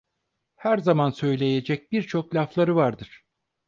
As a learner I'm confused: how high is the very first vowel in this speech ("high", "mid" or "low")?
low